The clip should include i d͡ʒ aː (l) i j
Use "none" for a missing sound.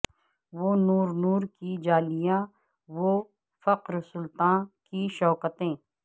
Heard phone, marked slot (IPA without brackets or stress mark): l